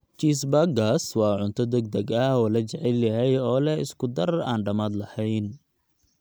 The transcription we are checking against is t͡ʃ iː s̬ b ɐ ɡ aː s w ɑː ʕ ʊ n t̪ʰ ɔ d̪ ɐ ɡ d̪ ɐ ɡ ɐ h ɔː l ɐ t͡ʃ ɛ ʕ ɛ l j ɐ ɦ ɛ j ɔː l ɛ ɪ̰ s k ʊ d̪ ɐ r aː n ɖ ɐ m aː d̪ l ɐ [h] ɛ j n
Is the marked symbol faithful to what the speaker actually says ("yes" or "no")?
yes